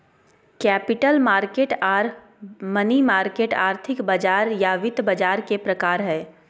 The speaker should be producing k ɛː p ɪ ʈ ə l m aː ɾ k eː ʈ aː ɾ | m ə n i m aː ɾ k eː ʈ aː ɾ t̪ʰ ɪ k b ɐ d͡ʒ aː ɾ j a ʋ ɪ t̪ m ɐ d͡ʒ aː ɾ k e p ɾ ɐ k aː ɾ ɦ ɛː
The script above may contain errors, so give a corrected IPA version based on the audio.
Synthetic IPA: k ɛː p ɪ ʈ ə l m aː ɾ k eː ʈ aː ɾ | m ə n i m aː ɾ k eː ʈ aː ɾ t̪ʰ ɪ k b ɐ d͡ʒ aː ɾ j a ʋ ɪ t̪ b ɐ d͡ʒ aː ɾ k e p ɾ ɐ k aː ɾ ɦ ɛː

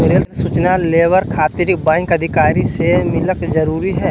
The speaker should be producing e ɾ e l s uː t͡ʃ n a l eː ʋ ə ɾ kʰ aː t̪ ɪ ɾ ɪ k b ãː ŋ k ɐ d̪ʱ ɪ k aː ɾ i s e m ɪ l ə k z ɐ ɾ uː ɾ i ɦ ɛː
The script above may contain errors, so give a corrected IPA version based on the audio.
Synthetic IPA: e ɾ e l s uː t͡ʃ n a l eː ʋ ə ɾ kʰ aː t̪ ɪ ɾ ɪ k b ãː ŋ k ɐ d̪ʱ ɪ k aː ɾ i s e m ɪ l ə k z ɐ ɾ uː ɾ i ɦ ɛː

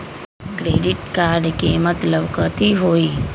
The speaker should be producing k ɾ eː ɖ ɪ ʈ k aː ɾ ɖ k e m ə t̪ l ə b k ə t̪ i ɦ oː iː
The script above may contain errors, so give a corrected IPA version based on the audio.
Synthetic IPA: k ɾ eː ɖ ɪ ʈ k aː ɾ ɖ k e m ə t̪ l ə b k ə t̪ i ɦ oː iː

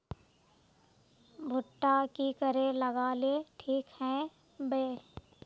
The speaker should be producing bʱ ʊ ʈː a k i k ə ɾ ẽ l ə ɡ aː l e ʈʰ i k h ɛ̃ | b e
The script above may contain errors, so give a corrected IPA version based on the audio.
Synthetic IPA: bʱ ʊ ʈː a k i k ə ɾ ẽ l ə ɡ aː l e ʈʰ iː k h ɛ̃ | b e

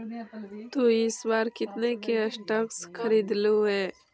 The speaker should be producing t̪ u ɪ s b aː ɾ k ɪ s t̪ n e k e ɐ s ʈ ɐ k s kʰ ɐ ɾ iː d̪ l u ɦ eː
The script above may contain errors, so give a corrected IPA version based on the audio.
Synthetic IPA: t̪ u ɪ s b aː ɾ k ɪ t̪ n e k e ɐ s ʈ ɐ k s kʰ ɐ ɾ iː d̪ l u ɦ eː

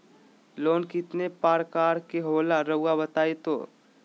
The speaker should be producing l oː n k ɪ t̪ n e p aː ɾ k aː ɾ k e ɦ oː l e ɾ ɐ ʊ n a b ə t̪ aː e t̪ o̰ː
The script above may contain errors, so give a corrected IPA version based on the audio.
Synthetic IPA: l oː n k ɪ t̪ n e p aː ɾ k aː ɾ k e ɦ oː l a ɾ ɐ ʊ a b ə t̪ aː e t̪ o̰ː

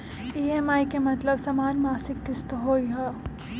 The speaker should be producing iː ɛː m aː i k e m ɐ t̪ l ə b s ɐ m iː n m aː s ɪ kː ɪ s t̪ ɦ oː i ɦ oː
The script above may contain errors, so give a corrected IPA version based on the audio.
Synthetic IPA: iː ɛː m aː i k e m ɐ t̪ l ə b s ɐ m aː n m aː s ɪ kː ɪ s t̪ ɦ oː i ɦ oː

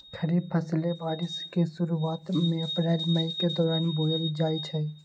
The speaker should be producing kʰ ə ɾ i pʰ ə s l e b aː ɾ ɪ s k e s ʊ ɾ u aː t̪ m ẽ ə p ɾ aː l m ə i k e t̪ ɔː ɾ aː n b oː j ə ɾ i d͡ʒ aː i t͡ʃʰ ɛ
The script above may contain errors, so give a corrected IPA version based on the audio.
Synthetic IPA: kʰ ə ɾ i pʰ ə s l e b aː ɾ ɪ s k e s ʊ ɾ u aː t̪ m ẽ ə p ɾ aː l m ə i k e d̪ ɔː ɾ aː n b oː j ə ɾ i d͡ʒ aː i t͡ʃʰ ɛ

